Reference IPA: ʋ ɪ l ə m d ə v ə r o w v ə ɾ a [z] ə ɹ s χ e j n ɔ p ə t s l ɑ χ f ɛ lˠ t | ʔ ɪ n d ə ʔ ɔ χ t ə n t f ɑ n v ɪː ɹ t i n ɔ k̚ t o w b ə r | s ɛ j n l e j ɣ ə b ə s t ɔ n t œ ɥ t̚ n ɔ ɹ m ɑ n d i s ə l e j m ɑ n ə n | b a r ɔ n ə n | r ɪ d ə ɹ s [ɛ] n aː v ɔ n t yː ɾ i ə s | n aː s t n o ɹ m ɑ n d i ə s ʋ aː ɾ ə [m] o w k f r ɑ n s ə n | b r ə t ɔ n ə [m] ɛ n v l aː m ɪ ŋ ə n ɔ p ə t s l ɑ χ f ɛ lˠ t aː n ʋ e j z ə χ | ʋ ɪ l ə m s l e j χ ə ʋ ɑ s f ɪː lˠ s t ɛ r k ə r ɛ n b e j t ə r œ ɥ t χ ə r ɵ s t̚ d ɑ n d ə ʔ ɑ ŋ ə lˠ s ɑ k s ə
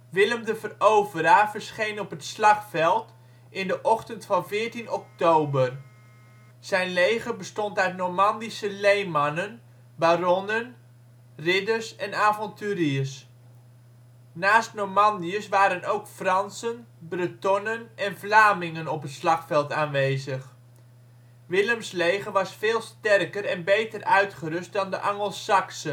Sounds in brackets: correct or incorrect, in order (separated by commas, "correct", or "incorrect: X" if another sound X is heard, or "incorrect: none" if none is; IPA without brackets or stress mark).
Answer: incorrect: v, correct, incorrect: n, incorrect: n